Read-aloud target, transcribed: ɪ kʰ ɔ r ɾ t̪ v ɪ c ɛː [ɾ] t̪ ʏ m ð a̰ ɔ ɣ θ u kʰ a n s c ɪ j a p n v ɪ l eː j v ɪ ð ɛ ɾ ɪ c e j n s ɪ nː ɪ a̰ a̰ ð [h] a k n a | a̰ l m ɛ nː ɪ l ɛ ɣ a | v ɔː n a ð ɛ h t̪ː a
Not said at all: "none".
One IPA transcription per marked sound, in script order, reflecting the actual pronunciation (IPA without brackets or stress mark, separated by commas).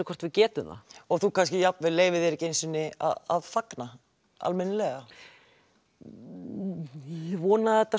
none, f